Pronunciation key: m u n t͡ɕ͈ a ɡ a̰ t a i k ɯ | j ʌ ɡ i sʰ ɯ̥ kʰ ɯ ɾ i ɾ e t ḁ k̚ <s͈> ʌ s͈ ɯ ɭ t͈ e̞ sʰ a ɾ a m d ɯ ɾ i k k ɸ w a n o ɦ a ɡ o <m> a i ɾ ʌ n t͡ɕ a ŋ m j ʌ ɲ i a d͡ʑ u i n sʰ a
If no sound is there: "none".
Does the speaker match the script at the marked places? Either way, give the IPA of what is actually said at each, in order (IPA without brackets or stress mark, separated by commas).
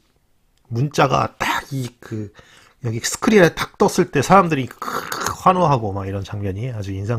t͈, m